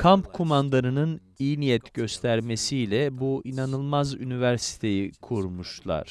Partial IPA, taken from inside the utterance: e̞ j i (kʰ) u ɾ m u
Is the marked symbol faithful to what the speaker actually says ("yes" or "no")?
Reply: yes